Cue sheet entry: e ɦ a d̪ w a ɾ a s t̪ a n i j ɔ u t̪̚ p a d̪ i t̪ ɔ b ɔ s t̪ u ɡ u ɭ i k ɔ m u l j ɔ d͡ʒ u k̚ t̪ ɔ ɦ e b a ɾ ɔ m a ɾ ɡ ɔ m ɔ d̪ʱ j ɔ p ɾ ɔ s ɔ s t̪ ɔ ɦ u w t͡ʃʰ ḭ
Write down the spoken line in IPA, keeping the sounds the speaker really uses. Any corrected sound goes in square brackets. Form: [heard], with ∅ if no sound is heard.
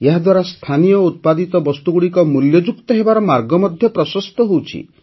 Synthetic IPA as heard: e ɦ a d̪ w a ɾ a s [t̪ʰ] a n i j ɔ u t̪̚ p a d̪ i t̪ ɔ b ɔ s t̪ u ɡ u [ɽ] i k ɔ m u l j ɔ d͡ʒ u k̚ t̪ ɔ ɦ e b a ɾ ɔ m a ɾ ɡ ɔ m ɔ d̪ʱ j ɔ p ɾ ɔ s ɔ s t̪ ɔ ɦ [o] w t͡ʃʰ ḭ